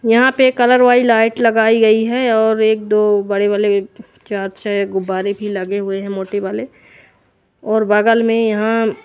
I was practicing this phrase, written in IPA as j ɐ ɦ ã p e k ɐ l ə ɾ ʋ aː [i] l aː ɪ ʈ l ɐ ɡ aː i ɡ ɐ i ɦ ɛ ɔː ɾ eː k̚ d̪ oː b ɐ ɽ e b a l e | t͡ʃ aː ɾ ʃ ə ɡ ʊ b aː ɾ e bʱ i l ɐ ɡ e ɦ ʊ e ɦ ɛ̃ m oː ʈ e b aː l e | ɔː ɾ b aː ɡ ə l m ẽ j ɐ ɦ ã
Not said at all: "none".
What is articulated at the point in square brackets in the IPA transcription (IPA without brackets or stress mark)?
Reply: i